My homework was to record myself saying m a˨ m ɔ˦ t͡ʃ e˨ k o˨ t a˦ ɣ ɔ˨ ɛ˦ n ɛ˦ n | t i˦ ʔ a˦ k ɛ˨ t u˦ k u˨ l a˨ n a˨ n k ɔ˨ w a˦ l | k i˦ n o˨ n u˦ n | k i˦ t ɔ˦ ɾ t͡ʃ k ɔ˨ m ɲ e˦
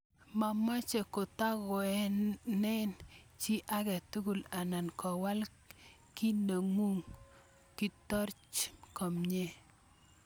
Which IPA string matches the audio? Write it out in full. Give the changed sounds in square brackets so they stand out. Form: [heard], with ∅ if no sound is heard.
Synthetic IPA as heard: m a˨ m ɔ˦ t͡ʃ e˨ k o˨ t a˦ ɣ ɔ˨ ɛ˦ n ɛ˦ n | [t͡ʃ] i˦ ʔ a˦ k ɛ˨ t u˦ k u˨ l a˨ n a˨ n k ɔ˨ w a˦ l | k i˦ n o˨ [ŋ] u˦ [ŋ] | k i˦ t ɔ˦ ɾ t͡ʃ k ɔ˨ m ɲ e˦